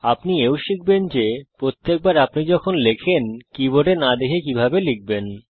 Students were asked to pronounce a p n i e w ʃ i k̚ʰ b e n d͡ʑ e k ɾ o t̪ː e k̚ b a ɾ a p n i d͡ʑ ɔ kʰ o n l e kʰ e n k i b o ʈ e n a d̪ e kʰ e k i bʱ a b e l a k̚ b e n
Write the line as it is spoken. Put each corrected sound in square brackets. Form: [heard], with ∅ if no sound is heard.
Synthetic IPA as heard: a p n i e w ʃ i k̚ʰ b e n d͡ʑ e [p] ɾ o t̪ː e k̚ b a ɾ a p n i d͡ʑ ɔ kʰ o n l e kʰ e n k i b o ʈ e n a d̪ e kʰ e k i bʱ a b e l [i] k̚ b e n